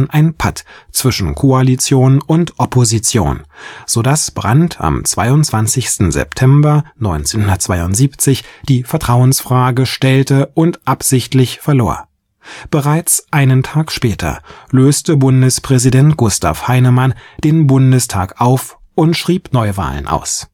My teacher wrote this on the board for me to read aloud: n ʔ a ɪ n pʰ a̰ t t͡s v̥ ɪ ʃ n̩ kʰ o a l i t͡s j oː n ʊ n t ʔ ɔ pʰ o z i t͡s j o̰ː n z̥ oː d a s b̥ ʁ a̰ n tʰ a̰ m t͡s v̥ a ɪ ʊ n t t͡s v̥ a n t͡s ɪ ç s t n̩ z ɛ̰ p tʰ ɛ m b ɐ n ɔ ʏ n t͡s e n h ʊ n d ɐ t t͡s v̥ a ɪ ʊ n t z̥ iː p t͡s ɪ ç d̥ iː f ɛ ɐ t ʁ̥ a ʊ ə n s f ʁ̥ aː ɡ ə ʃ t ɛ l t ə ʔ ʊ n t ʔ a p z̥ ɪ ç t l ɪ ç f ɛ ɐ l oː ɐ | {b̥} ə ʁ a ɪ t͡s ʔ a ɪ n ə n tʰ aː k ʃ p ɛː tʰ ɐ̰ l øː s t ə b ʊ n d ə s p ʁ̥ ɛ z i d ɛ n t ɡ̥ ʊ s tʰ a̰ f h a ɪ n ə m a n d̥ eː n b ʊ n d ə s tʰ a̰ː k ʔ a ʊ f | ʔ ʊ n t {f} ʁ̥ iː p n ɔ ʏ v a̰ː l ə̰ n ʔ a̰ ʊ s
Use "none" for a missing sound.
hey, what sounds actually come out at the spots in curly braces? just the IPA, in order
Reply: b̥, ʃ

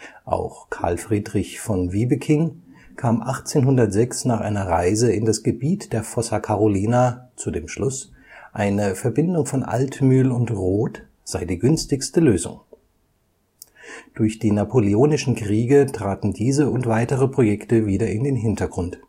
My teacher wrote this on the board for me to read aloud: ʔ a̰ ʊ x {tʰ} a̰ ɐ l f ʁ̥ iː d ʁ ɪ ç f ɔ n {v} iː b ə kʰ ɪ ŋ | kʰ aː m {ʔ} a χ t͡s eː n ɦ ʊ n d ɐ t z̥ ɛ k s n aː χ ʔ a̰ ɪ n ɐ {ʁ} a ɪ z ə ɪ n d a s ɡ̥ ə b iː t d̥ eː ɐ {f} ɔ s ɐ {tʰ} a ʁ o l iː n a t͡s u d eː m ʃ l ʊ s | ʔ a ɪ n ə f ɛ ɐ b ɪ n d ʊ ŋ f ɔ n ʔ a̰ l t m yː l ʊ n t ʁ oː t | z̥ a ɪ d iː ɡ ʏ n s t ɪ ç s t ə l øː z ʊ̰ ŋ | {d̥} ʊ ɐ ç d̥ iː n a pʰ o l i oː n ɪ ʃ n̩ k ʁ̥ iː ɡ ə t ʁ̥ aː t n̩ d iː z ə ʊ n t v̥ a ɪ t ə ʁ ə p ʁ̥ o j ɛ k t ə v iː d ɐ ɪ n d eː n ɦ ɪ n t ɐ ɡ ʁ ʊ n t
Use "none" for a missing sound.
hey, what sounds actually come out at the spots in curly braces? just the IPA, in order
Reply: kʰ, v, ʔ, ʁ, f, kʰ, d̥

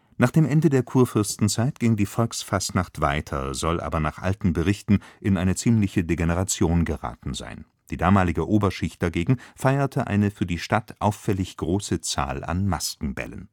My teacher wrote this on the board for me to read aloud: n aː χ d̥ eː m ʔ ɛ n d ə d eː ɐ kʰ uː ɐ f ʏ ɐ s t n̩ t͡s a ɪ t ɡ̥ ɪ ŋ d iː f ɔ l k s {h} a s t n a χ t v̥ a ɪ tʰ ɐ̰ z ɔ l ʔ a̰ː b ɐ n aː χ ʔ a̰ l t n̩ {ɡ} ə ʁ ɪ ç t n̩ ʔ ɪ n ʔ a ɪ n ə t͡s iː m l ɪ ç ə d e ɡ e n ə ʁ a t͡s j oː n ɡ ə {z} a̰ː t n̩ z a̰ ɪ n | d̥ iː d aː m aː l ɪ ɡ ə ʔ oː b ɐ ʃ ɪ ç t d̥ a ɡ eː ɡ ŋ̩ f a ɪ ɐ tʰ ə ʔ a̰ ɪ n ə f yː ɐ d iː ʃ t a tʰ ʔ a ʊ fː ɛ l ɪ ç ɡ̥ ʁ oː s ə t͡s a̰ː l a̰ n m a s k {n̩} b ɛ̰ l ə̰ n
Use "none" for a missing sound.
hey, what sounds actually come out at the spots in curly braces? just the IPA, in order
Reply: f, b, ʁ, ŋ̩

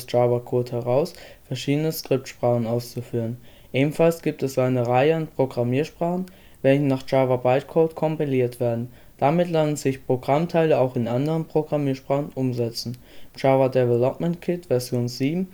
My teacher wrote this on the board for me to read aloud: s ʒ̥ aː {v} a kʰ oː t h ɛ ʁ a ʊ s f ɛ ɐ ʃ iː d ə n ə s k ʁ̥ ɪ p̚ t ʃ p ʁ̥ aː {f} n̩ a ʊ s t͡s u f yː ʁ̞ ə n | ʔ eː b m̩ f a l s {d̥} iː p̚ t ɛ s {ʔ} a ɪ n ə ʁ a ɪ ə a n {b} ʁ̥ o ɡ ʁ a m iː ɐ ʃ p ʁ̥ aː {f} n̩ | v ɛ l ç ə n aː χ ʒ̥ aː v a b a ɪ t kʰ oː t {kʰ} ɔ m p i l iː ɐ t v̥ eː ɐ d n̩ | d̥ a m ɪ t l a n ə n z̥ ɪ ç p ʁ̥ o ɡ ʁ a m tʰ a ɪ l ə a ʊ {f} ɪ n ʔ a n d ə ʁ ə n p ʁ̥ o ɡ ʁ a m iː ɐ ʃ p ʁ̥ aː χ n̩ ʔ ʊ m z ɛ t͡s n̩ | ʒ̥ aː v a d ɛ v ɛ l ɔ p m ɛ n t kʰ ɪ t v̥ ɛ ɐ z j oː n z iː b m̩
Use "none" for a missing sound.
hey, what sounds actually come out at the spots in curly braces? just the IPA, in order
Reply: v, χ, ɡ̥, ʔ, p, χ, kʰ, x

